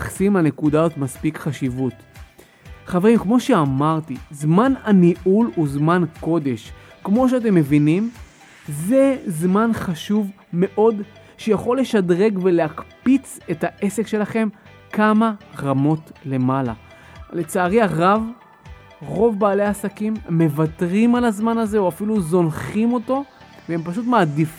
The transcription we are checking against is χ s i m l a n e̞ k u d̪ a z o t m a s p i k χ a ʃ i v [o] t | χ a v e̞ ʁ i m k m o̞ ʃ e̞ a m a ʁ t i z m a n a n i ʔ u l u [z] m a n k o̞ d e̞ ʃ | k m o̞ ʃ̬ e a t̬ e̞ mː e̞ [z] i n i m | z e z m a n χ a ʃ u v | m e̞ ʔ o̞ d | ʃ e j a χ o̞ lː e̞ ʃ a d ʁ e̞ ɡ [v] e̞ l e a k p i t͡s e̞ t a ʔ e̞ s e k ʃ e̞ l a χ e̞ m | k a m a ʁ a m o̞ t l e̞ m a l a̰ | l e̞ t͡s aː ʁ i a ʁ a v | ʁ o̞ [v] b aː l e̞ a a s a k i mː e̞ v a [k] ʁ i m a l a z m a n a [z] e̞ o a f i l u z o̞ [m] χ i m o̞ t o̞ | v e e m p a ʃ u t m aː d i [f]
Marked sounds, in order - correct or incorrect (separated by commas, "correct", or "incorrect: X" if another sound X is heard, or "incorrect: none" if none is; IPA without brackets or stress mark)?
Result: incorrect: u, correct, incorrect: v, correct, correct, incorrect: t, correct, incorrect: n, correct